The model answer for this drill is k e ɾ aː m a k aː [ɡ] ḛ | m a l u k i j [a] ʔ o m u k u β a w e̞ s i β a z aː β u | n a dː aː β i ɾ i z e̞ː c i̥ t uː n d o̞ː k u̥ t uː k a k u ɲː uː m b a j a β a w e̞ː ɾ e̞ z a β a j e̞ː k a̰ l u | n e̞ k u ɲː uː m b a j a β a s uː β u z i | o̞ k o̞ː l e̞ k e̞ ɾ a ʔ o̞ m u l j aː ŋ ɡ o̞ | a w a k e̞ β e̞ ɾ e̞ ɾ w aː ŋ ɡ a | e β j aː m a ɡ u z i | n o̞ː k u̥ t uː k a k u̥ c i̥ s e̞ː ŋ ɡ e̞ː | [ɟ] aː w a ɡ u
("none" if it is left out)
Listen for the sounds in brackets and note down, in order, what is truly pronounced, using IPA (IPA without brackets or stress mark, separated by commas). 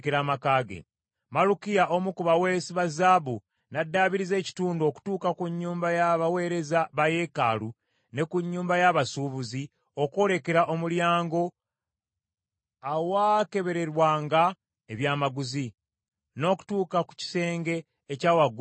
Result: ɡ, a, c